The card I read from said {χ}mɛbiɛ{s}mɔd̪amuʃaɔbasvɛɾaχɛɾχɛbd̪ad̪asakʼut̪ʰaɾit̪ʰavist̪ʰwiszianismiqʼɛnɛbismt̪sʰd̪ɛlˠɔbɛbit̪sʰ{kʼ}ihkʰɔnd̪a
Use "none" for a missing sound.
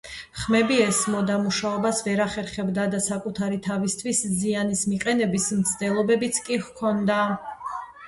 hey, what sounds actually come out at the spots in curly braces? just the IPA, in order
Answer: χ, s, kʼ

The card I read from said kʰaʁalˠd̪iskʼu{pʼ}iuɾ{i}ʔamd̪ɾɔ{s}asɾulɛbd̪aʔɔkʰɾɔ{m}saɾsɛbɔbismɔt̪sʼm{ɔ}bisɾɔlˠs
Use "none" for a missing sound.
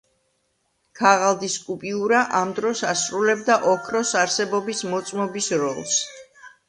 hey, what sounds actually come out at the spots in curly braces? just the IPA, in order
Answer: pʼ, a, s, none, ɔ

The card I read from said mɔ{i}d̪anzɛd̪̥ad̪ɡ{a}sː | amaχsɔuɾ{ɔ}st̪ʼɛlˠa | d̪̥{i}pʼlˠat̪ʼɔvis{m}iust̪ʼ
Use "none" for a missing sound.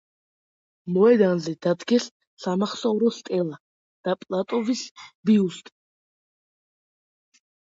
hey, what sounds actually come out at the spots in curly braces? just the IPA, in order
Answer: ɛ, ɛ, ɔ, a, b

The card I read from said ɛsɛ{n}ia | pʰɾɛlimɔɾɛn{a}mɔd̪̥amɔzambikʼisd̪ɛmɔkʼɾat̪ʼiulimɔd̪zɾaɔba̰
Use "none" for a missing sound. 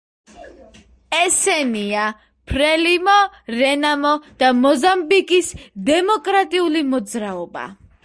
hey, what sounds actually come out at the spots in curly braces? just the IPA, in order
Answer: n, a

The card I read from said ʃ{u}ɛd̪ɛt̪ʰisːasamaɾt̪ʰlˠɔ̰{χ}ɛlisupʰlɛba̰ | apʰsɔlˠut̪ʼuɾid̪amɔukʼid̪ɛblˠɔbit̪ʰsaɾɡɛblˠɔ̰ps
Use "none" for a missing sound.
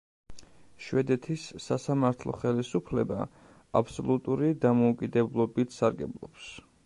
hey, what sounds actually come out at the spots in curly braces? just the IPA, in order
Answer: w, χ

